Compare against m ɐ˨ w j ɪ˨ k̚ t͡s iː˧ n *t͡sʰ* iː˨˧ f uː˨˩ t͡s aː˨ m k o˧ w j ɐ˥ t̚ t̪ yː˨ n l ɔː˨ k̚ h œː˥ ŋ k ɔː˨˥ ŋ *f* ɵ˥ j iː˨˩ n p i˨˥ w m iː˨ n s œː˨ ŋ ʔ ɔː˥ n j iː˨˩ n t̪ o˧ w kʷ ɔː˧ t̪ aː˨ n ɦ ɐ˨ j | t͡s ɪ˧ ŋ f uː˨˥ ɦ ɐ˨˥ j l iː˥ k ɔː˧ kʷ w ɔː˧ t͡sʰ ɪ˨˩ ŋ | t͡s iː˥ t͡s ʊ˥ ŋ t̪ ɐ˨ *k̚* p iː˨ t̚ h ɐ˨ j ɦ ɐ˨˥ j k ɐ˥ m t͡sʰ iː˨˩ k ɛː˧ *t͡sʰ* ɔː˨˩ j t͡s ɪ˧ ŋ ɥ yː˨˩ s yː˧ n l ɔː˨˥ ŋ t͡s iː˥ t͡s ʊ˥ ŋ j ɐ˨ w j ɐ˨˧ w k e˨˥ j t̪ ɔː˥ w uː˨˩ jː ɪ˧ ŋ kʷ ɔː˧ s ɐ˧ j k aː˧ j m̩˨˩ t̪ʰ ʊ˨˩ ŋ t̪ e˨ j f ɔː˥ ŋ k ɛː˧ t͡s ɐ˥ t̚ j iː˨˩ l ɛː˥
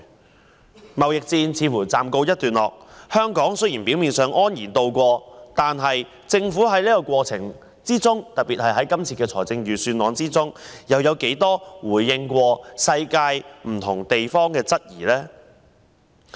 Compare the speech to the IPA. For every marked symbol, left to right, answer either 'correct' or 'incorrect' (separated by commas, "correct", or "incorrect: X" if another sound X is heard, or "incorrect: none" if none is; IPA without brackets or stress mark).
correct, incorrect: s, incorrect: t̚, correct